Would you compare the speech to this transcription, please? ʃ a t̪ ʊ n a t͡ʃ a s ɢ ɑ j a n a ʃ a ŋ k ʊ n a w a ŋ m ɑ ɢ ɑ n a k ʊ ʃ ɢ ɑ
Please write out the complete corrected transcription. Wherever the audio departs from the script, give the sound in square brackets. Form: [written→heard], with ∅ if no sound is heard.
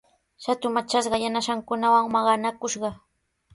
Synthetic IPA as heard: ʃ a t̪ ʊ [n→m] a t͡ʃ a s ɢ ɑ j a n a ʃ a ŋ k ʊ n a w a ŋ m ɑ ɢ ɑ n a k ʊ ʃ ɢ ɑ

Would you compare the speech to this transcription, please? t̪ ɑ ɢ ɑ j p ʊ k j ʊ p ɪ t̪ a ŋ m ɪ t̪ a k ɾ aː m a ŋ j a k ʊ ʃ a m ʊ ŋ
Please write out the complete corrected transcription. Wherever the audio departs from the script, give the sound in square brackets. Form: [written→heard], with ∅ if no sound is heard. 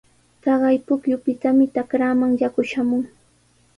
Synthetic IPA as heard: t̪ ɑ ɢ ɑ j p ʊ k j ʊ p ɪ t̪ a [ŋ→∅] m ɪ t̪ a k ɾ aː m a ŋ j a k ʊ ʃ a m ʊ ŋ

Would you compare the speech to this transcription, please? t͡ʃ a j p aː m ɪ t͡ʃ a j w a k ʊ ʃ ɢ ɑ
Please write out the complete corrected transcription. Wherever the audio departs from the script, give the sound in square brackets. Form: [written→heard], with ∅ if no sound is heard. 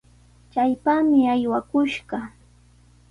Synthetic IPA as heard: t͡ʃ a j p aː m ɪ [t͡ʃ→∅] a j w a k ʊ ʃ ɢ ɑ

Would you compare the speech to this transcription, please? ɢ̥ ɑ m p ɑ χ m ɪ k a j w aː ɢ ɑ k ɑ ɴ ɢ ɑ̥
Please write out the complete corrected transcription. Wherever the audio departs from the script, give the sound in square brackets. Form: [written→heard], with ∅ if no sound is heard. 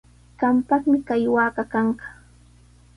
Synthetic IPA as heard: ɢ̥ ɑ m p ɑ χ m ɪ k a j w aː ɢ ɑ k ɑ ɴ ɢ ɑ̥

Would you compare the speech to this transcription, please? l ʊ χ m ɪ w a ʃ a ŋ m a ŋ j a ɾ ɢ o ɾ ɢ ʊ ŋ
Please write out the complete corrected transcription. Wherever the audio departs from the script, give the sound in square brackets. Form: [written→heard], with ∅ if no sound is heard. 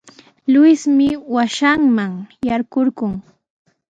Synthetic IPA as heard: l ʊ [χ→s] m ɪ w a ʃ a ŋ m a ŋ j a ɾ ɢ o ɾ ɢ ʊ ŋ

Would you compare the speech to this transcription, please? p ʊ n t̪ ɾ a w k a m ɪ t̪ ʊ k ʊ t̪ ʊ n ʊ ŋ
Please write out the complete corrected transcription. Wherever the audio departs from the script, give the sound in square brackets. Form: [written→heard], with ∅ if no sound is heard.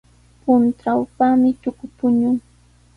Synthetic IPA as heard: p ʊ n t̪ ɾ a w [k→p] a m ɪ t̪ ʊ k ʊ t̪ ʊ [n→ɲ] ʊ ŋ

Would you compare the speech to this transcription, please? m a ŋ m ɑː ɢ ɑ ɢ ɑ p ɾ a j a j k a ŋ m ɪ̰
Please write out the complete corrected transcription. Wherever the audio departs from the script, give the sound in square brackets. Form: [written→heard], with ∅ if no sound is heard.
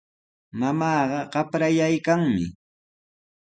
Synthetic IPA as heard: m a [ŋ→∅] m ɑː ɢ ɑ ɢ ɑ p ɾ a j a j k a ŋ m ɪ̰

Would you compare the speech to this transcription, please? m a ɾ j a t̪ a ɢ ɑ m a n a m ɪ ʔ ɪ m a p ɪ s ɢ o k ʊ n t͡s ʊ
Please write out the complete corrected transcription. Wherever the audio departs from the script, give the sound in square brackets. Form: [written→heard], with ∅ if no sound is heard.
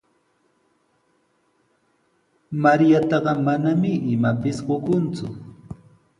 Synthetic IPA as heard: m a ɾ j a t̪ [a→ɑ] ɢ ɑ m a n a m ɪ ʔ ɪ m a p ɪ s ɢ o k ʊ n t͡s ʊ

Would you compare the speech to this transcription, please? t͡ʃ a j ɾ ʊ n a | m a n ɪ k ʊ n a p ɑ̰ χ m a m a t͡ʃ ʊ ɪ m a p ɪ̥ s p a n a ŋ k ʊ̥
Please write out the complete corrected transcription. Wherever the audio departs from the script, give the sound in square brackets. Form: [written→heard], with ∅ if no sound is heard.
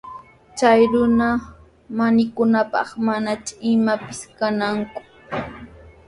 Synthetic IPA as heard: t͡ʃ a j ɾ ʊ n a | m a n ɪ k ʊ n a p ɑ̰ χ m a [m→n] a t͡ʃ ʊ ɪ m a p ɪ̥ s [p→k] a n a ŋ k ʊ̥

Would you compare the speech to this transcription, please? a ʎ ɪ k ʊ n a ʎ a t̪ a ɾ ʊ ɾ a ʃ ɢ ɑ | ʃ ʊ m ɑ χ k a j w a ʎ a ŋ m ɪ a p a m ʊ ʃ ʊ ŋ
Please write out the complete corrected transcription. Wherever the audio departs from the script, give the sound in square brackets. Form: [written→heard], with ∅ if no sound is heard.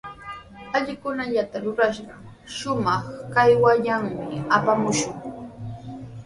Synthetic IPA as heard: a ʎ ɪ k ʊ n a ʎ a t̪ a ɾ ʊ ɾ a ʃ ɢ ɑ | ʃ ʊ m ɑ χ k a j w a ʎ a ŋ m ɪ a p a m ʊ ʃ ʊ ŋ

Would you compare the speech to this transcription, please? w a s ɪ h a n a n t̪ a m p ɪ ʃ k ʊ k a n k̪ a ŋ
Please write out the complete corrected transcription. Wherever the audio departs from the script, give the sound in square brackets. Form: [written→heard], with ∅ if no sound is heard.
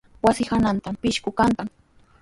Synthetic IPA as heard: w a s ɪ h a n a n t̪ a m p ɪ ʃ k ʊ k a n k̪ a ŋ

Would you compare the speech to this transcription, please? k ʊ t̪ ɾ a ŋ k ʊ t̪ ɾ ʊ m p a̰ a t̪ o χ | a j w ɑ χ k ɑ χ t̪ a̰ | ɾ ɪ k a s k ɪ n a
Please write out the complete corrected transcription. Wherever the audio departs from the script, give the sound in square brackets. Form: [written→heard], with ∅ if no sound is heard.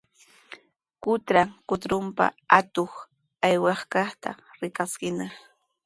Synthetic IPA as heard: k ʊ t̪ ɾ a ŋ k ʊ t̪ ɾ ʊ m p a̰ a t̪ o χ | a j w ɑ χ k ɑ χ t̪ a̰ | ɾ ɪ k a s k ɪ n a

